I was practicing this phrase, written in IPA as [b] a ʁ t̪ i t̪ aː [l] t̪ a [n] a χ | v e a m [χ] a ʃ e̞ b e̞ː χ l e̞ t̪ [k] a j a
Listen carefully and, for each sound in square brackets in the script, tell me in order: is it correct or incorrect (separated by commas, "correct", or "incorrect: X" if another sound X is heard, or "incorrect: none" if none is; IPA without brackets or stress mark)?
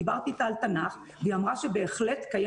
correct, correct, correct, incorrect: ʁ, correct